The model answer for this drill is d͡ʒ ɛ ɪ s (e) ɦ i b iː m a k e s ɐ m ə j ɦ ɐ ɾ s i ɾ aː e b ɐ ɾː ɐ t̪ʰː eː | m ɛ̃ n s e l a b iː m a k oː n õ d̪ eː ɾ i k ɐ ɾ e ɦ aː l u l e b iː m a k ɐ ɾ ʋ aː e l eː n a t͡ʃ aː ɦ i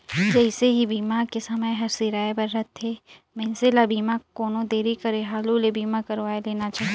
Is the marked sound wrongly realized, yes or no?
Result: no